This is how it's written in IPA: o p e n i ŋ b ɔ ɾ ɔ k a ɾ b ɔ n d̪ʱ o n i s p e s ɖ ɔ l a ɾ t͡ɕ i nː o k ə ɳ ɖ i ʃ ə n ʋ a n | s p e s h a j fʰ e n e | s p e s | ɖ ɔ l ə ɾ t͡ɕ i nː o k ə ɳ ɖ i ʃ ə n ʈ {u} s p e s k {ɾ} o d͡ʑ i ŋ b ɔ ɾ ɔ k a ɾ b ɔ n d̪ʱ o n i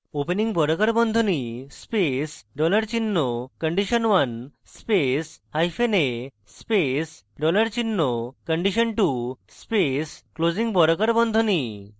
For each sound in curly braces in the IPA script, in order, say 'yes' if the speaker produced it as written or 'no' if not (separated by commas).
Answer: yes, no